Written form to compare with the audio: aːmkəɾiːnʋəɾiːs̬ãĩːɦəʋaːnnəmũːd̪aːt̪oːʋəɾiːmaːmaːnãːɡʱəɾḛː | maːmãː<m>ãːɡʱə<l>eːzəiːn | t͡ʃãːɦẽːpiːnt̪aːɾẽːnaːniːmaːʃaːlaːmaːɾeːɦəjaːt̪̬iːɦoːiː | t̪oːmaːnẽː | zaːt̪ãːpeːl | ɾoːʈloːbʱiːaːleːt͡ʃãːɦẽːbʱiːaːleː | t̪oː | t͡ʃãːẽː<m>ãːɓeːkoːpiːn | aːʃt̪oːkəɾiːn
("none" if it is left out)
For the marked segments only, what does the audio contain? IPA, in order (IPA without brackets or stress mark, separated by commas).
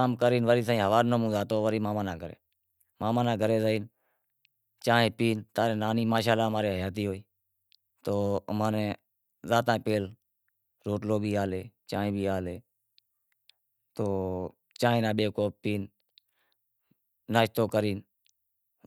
n, ɾ, n